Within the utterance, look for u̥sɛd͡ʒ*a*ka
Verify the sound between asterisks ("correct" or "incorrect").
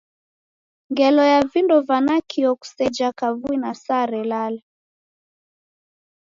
correct